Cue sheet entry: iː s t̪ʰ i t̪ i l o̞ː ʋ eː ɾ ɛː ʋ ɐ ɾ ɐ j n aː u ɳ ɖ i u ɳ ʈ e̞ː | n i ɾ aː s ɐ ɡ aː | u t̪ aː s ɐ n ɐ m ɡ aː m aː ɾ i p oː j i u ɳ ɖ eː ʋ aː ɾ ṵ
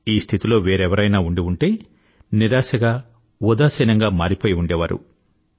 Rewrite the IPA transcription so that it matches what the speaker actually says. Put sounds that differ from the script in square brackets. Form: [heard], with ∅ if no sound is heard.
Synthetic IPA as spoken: iː s t̪ʰ i t̪ i l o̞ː ʋ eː ɾ [ɛ] ʋ ɐ ɾ ɐ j n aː u ɳ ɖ i u ɳ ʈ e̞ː | n i ɾ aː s ɐ ɡ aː | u [d̪] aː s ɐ n ɐ [ŋ] ɡ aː m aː ɾ i p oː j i u ɳ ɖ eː ʋ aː ɾ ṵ